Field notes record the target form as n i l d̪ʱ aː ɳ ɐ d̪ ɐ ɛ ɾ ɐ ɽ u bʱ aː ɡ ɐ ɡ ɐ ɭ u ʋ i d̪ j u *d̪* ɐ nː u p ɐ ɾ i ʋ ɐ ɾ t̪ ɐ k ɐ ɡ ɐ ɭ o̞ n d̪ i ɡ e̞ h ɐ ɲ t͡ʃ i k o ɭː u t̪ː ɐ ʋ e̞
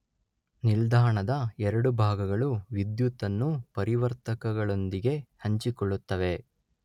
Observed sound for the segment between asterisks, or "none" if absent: t̪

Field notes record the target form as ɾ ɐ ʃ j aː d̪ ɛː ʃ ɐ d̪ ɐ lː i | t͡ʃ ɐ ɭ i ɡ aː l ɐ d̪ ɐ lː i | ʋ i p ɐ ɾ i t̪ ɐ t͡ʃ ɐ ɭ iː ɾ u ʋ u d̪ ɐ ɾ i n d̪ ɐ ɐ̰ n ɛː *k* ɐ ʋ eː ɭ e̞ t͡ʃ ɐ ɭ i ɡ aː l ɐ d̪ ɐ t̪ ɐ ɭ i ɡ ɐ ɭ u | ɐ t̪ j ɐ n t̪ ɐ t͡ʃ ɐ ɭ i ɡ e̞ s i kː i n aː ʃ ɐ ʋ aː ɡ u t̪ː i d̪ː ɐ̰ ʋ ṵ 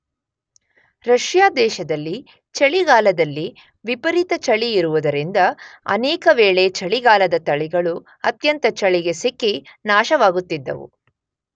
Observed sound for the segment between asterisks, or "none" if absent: k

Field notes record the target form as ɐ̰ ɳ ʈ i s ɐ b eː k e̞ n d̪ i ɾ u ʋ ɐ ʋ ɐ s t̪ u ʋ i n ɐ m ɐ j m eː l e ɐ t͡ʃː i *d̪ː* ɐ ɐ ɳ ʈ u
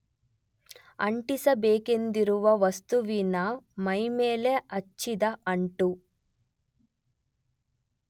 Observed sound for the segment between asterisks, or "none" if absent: d̪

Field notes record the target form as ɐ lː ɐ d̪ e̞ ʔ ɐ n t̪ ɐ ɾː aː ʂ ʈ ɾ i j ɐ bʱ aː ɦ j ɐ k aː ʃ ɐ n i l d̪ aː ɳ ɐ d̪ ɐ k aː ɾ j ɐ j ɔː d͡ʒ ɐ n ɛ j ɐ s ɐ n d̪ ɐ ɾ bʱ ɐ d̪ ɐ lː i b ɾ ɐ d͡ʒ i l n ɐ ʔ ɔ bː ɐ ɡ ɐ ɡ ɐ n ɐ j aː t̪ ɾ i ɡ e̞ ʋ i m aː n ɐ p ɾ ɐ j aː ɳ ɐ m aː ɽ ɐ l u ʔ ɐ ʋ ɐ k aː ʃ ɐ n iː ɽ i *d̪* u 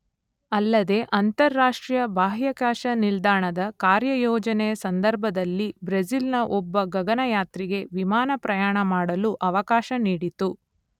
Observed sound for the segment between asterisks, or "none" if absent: t̪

